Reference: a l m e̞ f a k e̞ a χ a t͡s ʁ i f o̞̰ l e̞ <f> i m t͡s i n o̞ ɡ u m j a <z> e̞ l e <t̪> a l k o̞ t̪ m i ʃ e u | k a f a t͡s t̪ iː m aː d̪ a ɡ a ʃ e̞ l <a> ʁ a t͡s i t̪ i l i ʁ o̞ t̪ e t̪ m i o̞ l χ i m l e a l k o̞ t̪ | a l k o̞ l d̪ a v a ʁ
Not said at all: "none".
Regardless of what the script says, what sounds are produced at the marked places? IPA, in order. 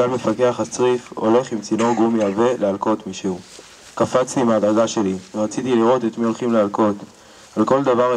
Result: χ, v, none, i

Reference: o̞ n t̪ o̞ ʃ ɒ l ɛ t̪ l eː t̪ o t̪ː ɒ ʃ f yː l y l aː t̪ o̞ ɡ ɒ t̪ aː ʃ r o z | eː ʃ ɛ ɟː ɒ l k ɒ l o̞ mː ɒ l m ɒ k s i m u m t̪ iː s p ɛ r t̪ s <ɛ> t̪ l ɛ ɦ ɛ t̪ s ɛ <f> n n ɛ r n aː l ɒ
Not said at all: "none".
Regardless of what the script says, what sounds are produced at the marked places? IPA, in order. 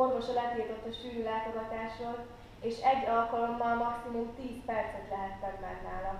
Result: ɛ, none

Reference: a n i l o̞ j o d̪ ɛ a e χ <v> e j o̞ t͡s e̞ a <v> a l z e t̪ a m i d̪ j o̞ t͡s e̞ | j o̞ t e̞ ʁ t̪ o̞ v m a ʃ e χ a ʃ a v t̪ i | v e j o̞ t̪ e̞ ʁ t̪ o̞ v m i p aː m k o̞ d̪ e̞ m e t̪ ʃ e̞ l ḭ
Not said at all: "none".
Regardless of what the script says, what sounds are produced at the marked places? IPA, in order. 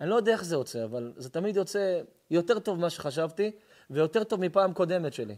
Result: z, v

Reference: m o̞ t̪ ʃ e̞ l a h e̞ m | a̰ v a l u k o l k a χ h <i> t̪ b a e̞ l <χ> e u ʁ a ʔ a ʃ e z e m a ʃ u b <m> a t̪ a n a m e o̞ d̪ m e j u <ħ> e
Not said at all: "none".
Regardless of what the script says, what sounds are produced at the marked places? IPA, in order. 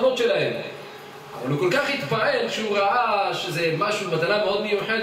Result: i, ʃ, m, ħ

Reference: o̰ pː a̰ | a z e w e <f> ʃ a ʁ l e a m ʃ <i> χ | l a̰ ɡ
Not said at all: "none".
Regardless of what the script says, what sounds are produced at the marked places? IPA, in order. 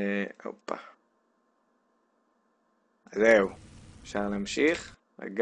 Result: f, i

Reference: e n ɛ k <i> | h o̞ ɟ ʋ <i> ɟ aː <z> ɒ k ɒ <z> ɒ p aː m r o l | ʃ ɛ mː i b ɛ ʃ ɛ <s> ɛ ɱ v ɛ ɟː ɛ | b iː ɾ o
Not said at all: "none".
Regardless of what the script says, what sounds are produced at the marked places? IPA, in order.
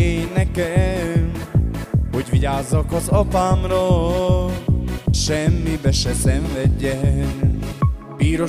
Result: ɛ, i, zː, z, s

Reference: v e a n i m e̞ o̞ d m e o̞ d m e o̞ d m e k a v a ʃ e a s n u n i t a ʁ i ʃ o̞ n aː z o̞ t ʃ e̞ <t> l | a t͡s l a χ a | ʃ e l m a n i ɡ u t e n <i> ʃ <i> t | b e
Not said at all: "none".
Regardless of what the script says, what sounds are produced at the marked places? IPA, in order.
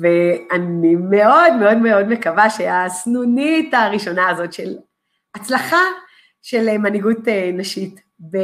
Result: none, a, i

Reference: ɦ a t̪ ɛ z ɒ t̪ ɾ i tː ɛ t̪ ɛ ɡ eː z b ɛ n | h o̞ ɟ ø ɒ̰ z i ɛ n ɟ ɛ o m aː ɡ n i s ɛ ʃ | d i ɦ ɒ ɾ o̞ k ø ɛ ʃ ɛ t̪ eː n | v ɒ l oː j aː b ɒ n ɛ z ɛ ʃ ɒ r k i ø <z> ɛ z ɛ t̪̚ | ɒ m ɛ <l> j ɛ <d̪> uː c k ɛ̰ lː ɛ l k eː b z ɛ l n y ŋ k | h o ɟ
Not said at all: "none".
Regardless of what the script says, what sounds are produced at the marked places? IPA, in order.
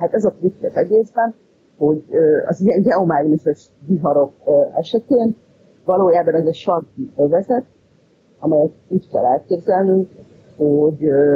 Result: v, none, t̪

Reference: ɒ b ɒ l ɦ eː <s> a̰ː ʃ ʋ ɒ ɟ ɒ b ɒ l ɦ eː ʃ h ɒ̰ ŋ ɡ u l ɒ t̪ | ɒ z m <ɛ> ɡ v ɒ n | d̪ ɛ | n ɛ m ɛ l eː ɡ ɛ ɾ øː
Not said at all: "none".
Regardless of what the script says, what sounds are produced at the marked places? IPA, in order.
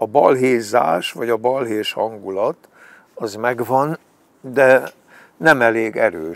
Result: z, ɛ

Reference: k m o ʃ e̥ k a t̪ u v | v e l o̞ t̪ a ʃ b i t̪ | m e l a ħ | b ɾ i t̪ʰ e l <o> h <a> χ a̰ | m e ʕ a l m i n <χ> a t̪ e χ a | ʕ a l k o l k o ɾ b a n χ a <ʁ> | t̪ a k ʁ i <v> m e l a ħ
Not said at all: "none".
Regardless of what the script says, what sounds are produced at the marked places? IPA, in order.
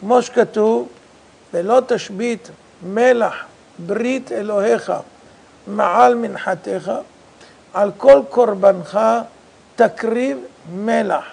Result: o, e, ħ, none, v

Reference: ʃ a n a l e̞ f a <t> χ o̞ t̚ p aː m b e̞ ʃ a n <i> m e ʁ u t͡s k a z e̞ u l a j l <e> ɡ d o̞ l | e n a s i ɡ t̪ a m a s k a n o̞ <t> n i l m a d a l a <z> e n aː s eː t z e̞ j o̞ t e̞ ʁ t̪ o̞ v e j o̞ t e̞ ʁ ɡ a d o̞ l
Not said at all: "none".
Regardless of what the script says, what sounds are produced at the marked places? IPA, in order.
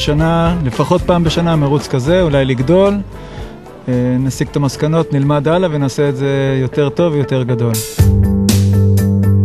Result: none, a, i, t, v

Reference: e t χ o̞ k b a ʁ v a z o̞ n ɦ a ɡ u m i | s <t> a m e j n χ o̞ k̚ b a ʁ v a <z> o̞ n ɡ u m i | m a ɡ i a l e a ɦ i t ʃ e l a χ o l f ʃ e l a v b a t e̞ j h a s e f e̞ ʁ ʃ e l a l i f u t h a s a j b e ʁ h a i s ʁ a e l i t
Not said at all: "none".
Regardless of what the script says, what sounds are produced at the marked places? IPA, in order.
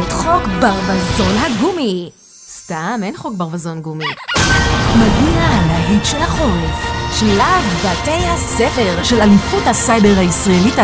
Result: t, z

